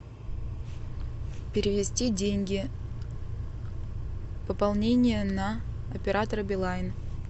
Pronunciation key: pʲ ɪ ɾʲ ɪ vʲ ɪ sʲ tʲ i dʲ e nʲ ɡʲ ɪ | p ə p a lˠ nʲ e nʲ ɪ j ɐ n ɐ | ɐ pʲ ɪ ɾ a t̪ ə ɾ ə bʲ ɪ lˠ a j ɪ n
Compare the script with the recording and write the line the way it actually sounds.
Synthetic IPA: pʲ ɪ ɾʲ ɪ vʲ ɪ sʲ tʲ i dʲ e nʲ ɡʲ ɪ | p ə p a lˠ nʲ e nʲ ɪ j ə n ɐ | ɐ pʲ ɪ ɾ a t̪ ə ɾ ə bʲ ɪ lˠ a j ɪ n